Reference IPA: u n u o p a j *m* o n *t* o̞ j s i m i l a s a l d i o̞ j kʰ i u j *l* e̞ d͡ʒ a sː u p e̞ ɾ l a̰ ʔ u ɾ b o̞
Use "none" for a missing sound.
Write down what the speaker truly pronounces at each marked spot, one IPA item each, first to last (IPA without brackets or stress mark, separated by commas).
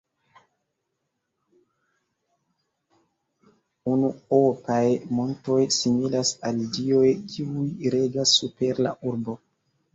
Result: m, t, ɾ